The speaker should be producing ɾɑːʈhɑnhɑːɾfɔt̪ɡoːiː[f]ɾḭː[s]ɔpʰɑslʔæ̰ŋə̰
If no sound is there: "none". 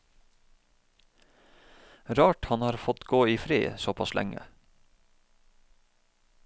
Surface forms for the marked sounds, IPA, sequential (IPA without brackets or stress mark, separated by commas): f, s